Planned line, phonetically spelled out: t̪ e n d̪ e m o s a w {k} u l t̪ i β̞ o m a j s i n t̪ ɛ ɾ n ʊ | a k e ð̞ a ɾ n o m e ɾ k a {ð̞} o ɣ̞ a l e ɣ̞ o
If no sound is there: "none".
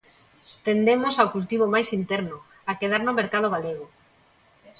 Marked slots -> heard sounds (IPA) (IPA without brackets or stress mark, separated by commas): k, ð̞